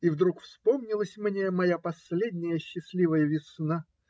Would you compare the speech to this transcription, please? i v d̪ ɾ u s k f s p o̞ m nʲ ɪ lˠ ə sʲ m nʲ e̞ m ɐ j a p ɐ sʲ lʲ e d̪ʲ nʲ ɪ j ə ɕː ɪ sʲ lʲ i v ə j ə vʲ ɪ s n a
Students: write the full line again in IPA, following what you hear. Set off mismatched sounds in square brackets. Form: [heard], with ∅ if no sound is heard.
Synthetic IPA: i v d̪ ɾ u [∅] k f s p o̞ m nʲ ɪ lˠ ə sʲ m nʲ e̞ m ɐ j a p ɐ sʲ lʲ e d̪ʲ nʲ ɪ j ə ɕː ɪ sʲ lʲ i v ə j ə vʲ ɪ s n a